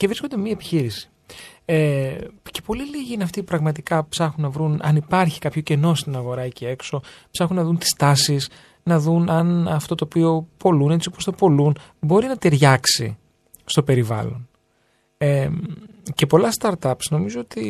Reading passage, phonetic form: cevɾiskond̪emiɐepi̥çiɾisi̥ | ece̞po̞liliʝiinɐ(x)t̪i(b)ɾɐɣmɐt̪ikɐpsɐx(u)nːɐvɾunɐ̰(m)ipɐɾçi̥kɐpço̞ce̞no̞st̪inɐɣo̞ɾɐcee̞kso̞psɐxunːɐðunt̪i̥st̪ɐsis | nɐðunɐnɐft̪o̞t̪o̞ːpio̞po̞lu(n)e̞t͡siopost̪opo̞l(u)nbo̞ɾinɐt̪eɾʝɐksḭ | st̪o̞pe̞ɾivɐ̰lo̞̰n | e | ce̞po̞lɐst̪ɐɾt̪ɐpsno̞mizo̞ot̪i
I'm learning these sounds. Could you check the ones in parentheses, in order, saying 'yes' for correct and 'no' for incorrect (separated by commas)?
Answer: no, no, yes, no, yes, yes